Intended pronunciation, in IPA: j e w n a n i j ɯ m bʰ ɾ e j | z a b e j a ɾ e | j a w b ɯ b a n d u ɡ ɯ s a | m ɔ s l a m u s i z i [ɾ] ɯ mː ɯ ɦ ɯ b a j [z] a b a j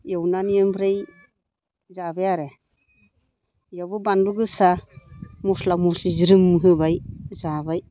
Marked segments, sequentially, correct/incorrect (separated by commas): correct, correct